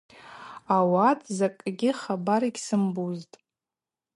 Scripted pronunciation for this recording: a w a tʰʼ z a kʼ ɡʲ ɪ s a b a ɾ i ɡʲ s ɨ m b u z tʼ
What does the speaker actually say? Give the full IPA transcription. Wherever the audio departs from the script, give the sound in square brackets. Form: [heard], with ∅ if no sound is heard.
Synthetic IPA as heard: a w a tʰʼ z a kʼ ɡʲ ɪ [χ] a b a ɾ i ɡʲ s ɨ m b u z tʼ